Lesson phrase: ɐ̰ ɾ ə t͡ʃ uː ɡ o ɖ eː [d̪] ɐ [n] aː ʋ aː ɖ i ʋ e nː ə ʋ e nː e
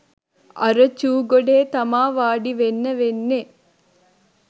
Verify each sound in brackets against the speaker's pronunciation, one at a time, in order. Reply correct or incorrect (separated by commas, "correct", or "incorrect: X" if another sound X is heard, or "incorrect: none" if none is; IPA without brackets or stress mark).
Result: incorrect: t̪, incorrect: m